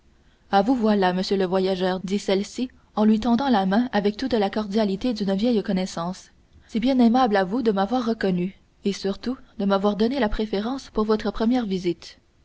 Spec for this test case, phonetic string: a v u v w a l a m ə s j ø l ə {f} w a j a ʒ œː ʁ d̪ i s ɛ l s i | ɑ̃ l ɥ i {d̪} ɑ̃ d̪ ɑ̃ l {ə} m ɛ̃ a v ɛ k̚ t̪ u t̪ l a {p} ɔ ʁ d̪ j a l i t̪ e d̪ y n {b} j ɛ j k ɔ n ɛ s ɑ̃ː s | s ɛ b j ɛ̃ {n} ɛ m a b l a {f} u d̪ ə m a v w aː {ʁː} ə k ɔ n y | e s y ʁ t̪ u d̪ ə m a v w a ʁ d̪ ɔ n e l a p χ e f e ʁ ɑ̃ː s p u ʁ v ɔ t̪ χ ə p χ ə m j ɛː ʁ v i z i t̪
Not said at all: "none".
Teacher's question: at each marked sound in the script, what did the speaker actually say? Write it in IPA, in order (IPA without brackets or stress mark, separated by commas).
v, t̪, a, k, v, n, v, ʁː